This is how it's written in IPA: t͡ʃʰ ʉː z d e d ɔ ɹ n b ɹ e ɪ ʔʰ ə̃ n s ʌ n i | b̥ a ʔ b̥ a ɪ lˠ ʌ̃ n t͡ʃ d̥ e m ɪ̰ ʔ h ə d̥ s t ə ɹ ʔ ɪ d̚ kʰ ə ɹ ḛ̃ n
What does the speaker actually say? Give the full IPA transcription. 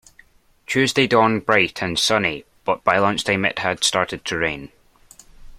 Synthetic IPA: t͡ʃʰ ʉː z d e d ɔ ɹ n b ɹ a ɪ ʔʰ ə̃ n s ʌ n i | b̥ ʌ ʔ b̥ a ɪ lˠ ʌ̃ n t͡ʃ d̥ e m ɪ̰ ʔ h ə d̥ s t a ɹ ʔ ɪ d̚ tʰ ə ɹ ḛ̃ n